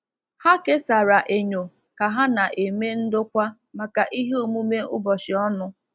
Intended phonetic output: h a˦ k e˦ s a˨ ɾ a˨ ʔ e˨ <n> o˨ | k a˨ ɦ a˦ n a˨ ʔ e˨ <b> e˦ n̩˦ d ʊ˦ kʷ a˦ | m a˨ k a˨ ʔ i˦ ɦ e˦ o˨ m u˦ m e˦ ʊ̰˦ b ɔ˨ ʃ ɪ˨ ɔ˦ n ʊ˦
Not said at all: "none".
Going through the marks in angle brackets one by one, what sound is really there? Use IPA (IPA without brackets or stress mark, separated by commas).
ɲ, m